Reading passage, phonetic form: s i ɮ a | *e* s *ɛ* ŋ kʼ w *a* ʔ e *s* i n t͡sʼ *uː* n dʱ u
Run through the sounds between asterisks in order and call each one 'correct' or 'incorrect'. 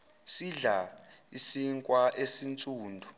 incorrect: i, incorrect: i, correct, correct, correct

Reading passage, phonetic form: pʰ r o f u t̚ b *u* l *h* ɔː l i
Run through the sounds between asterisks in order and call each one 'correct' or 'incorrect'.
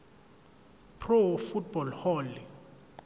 incorrect: ɔ, correct

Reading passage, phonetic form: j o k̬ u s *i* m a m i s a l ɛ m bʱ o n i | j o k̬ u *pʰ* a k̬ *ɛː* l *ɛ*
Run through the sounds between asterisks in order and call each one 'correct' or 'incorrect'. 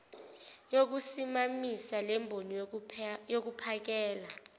correct, correct, correct, incorrect: a

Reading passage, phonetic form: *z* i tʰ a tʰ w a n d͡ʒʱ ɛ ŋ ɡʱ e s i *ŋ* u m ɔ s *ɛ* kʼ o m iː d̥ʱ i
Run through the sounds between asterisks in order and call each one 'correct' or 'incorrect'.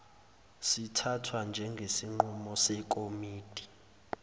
incorrect: s, incorrect: ŋ͡ǃ, correct

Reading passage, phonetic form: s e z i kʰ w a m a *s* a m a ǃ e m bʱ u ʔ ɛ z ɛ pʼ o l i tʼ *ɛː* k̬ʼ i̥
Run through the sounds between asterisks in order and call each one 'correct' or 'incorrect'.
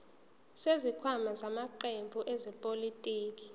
incorrect: z, incorrect: iː

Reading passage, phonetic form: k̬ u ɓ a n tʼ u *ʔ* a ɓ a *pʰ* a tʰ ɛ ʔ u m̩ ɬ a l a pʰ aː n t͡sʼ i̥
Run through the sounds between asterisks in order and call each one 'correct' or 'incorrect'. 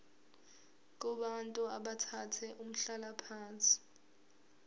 incorrect: none, incorrect: tʰ

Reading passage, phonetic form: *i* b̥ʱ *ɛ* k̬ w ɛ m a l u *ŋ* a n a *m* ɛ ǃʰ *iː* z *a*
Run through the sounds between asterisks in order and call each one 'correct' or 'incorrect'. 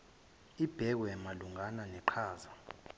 correct, correct, correct, incorrect: n, incorrect: aː, correct

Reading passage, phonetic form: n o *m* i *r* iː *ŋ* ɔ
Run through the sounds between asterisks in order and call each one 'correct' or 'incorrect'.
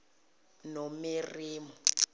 correct, correct, incorrect: m

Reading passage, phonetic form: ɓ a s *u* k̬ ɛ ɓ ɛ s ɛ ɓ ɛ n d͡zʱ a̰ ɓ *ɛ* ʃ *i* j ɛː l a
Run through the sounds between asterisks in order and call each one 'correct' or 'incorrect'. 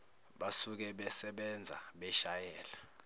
correct, correct, incorrect: a

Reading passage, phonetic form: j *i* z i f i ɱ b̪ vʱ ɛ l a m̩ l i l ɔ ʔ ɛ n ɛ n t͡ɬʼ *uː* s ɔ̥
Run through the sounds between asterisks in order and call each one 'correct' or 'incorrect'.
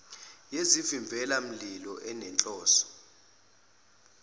incorrect: e, incorrect: ɔː

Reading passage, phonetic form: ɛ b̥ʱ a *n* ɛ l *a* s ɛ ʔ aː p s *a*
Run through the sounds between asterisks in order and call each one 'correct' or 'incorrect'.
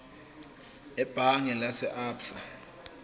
incorrect: ŋ, correct, correct

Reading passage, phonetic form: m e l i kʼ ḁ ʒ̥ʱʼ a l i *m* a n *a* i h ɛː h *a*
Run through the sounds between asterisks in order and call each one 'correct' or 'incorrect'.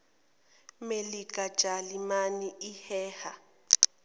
correct, incorrect: i, correct

